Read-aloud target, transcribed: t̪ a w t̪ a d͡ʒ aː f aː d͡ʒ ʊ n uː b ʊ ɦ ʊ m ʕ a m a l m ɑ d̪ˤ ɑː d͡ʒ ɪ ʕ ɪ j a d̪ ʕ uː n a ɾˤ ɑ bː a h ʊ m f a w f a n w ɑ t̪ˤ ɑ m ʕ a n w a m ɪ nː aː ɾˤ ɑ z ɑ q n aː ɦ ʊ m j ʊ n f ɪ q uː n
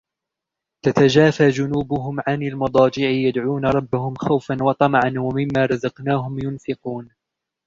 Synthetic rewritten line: t̪ a t̪ a d͡ʒ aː f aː d͡ʒ ʊ n uː b ʊ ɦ ʊ m ʕ a n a l m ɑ d̪ˤ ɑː d͡ʒ ɪ ʕ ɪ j a d̪ ʕ uː n a ɾˤ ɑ bː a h ʊ m x a w f a n w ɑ t̪ˤ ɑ m ʕ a n w a m ɪ mː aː ɾˤ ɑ z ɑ q n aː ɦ ʊ m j ʊ n f ɪ q uː n